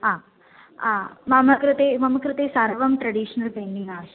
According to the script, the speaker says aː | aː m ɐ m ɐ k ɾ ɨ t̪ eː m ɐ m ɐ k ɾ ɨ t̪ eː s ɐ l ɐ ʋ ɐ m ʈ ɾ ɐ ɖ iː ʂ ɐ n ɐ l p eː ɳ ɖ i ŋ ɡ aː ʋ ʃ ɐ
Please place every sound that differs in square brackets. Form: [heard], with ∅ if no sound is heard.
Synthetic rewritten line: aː | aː m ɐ m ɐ k ɾ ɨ t̪ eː m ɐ m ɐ k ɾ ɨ t̪ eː s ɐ [ɾ] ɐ ʋ ɐ m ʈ ɾ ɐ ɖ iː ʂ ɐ n ɐ l p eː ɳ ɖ i ŋ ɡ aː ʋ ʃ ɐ